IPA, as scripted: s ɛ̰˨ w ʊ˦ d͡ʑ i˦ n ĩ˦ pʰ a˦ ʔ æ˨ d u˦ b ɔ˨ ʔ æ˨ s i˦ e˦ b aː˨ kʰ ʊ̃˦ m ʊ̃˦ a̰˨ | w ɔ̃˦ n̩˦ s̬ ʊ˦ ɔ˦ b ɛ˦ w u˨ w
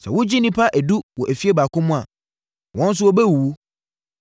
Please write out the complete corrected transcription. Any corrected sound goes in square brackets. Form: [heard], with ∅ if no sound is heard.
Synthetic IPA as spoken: s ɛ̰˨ w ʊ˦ d͡ʑ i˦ n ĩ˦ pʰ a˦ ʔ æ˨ d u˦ [w] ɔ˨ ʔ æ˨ [f] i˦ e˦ b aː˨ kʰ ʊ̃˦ m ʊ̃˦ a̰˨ | w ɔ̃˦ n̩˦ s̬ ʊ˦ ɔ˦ b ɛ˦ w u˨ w